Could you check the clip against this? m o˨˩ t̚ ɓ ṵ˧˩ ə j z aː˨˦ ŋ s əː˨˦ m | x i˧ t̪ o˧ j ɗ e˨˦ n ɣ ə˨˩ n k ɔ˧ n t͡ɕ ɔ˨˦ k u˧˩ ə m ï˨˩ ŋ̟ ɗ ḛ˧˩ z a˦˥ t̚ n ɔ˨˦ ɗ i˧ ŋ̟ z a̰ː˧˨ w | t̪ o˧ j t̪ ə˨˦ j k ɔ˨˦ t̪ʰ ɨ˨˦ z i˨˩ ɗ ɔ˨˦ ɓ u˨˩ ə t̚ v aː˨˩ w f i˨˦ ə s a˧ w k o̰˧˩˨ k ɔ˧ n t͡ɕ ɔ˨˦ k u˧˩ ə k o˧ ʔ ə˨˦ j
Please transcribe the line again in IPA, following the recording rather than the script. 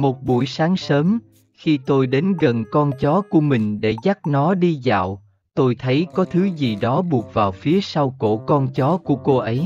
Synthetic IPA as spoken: m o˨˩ t̚ ɓ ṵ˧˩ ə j s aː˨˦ ŋ s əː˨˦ m | x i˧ t̪ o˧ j ɗ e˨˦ n ɣ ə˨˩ n k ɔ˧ n t͡ɕ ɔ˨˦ k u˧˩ ə m ï˨˩ ŋ̟ ɗ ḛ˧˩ z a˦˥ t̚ n ɔ˨˦ ɗ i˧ z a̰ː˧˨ w | t̪ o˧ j t̪ʰ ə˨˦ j k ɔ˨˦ t̪ʰ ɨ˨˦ z i˨˩ ɗ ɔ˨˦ ɓ u˨˩ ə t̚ v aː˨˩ w f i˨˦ ə s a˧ w k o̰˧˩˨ k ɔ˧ n t͡ɕ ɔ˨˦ k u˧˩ ə k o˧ ʔ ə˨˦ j

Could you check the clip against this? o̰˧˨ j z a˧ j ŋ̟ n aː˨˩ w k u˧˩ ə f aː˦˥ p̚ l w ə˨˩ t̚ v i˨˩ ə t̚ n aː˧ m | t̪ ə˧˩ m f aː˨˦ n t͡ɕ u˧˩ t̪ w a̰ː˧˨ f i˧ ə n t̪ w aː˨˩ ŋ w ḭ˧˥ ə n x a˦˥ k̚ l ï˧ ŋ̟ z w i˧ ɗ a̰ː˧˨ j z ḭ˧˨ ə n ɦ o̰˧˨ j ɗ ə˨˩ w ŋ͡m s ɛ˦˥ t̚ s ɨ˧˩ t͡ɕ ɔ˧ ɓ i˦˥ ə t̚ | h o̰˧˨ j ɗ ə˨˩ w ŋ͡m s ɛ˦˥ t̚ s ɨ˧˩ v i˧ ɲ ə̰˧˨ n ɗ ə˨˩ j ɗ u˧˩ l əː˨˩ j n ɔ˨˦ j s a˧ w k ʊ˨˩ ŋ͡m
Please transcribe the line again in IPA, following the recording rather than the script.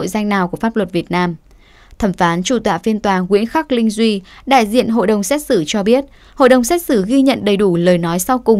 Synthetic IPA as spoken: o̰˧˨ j z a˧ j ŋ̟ n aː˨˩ w k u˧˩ ə f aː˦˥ p̚ l w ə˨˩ t̚ v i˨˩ ə t̚ n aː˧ m | t̪ʰ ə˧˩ m f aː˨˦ n t͡ɕ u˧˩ t̪ w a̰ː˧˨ f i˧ ə n t̪ w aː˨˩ ŋ w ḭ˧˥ ə n x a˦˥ k̚ l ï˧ ŋ̟ z w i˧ ɗ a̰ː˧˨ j z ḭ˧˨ ə n ɦ o̰˧˨ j ɗ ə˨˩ w ŋ͡m s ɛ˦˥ t̚ s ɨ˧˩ t͡ɕ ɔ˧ ɓ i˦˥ ə t̚ | h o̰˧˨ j ɗ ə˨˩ w ŋ͡m s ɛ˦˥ t̚ s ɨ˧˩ ɣ i˧ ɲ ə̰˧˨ n ɗ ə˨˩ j ɗ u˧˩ l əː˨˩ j n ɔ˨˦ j s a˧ w k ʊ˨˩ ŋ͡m

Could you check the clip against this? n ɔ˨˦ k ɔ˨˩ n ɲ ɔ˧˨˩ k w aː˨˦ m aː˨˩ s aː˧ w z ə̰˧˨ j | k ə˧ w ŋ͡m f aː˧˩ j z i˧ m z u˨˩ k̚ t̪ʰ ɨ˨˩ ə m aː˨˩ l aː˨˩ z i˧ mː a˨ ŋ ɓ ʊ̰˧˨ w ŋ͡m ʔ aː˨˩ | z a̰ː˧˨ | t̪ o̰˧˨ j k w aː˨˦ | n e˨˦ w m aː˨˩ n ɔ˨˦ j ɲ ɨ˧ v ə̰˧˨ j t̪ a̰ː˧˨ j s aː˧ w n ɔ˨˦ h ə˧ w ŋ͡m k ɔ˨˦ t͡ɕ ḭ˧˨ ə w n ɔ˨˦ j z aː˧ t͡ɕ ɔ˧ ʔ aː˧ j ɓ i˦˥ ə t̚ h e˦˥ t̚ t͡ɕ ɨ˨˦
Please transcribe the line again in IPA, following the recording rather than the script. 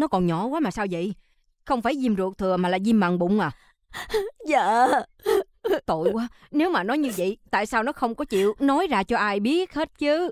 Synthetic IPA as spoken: n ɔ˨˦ k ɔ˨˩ n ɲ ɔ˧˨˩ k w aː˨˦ m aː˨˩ s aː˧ w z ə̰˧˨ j | x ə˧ w ŋ͡m f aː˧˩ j z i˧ m z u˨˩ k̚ t̪ʰ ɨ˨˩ ə m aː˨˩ l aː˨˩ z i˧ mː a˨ ŋ ɓ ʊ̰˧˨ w ŋ͡m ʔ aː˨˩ | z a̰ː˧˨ | t̪ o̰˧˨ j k w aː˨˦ | n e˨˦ w m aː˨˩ n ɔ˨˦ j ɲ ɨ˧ v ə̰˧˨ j t̪ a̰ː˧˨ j s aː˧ w n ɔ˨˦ x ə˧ w ŋ͡m k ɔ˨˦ t͡ɕ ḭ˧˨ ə w n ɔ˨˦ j z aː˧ t͡ɕ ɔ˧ ʔ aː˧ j ɓ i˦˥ ə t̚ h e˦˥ t̚ t͡ɕ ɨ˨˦

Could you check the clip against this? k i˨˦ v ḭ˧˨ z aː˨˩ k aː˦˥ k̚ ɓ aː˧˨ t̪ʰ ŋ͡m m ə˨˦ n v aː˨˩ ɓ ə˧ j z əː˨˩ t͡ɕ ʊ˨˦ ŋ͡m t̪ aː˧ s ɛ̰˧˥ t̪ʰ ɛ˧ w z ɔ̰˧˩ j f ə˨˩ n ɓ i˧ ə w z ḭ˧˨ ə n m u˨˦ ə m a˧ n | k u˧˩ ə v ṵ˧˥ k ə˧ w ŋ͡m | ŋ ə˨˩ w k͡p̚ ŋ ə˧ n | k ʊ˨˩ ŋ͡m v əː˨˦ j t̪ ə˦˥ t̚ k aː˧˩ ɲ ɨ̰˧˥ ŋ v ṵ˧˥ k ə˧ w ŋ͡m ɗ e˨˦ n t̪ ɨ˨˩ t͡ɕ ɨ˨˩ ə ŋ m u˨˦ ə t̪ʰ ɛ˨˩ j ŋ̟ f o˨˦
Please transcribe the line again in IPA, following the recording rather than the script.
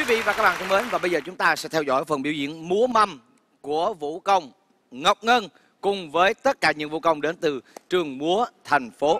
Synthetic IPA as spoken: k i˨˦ v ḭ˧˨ v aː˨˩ k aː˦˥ k̚ ɓ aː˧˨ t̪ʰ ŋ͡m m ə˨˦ n v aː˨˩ ɓ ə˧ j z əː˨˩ t͡ɕ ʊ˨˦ ŋ͡m t̪ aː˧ s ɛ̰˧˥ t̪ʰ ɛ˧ w z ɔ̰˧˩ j f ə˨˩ n ɓ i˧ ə w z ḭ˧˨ ə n m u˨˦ ə m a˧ m | k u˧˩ ə v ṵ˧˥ k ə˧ w ŋ͡m | ŋ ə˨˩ w k͡p̚ ŋ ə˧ n | k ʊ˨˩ ŋ͡m v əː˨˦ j t̪ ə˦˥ t̚ k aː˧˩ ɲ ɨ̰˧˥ ŋ v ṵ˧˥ k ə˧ w ŋ͡m ɗ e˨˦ n t̪ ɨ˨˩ t͡ɕ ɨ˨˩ ə ŋ m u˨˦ ə t̪ʰ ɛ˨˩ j ŋ̟ f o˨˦

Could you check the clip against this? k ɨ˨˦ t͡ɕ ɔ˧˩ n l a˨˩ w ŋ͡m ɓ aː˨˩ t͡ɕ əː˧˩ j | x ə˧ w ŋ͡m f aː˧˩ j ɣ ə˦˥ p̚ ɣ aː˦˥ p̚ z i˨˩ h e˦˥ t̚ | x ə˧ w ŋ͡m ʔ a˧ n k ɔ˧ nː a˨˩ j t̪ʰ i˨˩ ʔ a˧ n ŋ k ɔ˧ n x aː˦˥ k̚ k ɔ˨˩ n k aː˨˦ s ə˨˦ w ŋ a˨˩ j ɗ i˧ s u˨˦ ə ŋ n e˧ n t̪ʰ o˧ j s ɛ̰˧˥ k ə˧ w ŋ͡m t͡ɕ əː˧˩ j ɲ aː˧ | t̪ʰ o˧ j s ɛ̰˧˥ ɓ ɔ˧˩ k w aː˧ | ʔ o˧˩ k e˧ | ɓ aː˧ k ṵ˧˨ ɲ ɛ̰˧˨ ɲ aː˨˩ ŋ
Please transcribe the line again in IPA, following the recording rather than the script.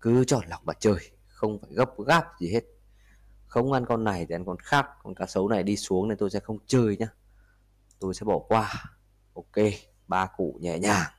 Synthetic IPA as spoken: k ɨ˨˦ t͡ɕ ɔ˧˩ n l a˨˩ w ŋ͡m ɓ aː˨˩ t͡ɕ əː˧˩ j | x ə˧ w ŋ͡m f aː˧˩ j ɣ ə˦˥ p̚ ɣ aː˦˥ p̚ z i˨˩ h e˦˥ t̚ | x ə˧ w ŋ͡m ʔ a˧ n k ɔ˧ nː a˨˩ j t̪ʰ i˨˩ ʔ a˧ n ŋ k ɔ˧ n x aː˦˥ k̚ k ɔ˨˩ n k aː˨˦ s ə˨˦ w n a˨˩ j ɗ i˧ s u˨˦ ə ŋ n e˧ n t̪ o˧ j s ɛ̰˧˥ x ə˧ w ŋ͡m t͡ɕ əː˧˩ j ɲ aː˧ | t̪ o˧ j s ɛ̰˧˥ ɓ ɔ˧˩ k w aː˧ | ʔ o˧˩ k e˧ | ɓ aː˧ k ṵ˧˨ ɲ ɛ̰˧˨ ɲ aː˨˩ ŋ

